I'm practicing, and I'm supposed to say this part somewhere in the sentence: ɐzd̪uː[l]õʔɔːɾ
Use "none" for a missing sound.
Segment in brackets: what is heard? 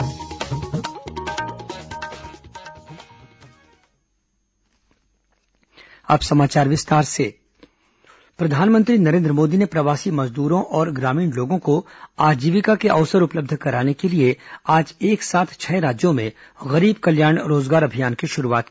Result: ɾ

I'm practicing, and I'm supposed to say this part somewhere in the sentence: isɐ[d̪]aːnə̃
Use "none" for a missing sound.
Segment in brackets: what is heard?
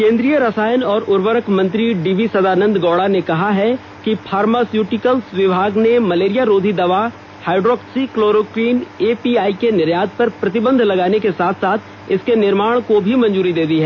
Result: d̪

